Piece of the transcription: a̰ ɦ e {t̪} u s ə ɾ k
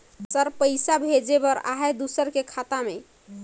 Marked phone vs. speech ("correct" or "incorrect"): incorrect